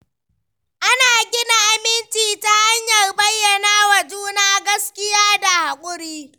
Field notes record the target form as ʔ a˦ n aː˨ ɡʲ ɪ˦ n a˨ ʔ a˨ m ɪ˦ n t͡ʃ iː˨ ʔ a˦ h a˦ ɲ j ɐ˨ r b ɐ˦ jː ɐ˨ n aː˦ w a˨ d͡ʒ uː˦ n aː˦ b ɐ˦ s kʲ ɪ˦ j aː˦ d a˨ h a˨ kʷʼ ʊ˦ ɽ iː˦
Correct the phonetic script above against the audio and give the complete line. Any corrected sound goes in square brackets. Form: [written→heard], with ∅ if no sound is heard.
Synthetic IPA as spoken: ʔ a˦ n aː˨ ɡʲ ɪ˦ n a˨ ʔ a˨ m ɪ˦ n t͡ʃ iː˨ [ʔ→t] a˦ h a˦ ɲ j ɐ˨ r b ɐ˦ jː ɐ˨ n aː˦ w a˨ d͡ʒ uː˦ n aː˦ [b→ɡ] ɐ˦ s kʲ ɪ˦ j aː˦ d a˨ h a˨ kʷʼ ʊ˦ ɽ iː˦